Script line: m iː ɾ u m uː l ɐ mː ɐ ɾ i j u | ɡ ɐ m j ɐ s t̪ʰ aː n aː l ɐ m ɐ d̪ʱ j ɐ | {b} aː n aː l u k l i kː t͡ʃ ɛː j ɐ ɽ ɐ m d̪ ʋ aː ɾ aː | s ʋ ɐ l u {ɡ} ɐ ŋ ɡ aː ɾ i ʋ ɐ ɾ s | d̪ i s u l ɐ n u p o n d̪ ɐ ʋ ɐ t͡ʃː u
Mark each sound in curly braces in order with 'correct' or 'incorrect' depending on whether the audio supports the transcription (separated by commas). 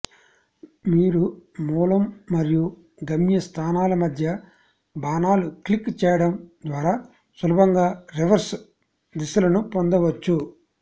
correct, incorrect